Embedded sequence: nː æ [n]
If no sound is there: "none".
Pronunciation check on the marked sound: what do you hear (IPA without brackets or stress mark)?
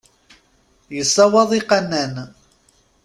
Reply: n